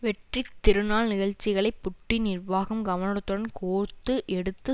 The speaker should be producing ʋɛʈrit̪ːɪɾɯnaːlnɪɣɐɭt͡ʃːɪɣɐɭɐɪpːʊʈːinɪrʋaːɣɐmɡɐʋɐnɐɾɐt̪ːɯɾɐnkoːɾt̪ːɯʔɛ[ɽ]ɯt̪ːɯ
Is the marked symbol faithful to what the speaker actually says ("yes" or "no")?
yes